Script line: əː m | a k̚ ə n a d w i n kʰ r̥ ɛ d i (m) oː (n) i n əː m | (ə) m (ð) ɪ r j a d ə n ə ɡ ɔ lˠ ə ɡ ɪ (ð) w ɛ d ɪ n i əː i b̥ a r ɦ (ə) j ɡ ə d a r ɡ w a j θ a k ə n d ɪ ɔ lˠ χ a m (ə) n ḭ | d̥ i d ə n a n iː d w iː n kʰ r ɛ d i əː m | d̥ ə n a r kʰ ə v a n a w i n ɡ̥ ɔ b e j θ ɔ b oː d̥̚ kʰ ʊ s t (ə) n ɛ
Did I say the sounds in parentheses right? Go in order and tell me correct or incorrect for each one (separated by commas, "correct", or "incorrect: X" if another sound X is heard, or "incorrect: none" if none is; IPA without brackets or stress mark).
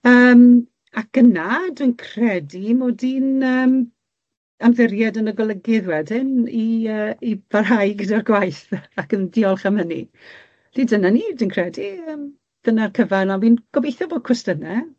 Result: correct, incorrect: d, incorrect: a, correct, correct, incorrect: a, correct, correct